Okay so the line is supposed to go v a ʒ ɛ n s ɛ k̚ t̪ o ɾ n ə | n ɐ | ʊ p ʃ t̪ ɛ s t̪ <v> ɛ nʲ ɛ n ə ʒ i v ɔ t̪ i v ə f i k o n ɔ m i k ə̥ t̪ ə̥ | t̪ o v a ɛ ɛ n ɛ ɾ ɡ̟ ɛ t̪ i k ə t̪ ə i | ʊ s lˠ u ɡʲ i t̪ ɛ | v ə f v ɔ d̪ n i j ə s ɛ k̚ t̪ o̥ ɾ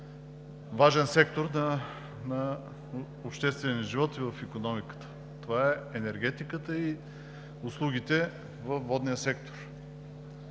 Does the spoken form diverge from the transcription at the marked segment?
no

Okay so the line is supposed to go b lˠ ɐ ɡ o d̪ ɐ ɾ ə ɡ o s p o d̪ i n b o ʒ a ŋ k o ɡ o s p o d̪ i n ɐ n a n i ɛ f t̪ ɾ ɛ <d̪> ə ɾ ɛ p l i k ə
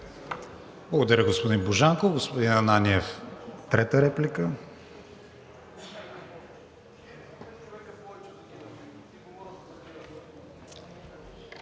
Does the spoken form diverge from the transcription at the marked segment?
yes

